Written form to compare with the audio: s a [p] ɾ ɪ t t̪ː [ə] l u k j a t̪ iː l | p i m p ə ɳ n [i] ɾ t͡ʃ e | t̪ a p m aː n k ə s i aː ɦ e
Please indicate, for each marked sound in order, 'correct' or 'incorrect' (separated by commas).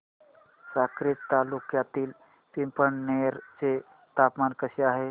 incorrect, incorrect, incorrect